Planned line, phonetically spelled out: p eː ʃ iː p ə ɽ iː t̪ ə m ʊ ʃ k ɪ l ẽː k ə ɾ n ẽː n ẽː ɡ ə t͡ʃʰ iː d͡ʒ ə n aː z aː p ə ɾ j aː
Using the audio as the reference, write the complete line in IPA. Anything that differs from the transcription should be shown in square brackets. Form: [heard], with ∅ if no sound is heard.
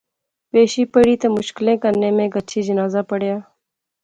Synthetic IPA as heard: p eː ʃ iː p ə ɽ iː t̪ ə m ʊ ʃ k ɪ l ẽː k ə ɾ n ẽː [m] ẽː ɡ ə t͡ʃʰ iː d͡ʒ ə n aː z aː p ə [ɽ] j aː